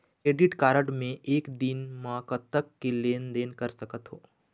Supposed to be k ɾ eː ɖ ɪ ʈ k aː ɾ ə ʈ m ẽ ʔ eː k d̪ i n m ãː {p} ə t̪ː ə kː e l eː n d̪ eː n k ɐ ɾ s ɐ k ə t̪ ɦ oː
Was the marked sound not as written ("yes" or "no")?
yes